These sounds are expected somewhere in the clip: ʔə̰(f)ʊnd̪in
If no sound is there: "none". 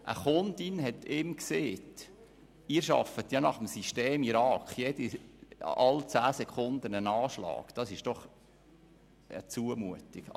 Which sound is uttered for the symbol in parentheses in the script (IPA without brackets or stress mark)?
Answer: χ